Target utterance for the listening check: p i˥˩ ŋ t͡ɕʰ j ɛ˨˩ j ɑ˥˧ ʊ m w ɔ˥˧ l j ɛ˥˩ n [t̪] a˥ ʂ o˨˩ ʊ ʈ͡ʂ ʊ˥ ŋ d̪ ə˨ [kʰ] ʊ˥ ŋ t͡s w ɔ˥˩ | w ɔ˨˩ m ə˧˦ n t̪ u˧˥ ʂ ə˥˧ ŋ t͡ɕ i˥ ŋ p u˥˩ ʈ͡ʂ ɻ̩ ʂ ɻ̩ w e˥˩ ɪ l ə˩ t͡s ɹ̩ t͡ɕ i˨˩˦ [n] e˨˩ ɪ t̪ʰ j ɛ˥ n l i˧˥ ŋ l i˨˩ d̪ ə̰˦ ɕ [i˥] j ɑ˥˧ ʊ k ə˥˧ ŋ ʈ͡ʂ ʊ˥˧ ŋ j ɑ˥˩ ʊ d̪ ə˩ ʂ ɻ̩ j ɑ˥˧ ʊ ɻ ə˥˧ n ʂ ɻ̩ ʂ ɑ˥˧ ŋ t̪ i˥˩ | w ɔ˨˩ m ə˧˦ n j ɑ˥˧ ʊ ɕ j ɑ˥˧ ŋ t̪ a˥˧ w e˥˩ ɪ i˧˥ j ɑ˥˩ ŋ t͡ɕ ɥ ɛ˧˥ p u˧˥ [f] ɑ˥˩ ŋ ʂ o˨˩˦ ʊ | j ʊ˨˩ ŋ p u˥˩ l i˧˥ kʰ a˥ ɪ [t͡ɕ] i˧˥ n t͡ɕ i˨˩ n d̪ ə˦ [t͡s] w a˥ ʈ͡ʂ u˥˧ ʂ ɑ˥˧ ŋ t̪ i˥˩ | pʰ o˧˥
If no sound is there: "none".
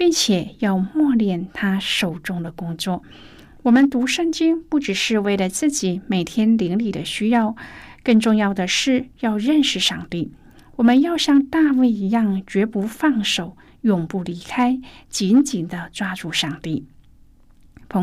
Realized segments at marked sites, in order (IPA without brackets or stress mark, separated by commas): t̪ʰ, k, m, y˥, f, t͡ɕ, t͡s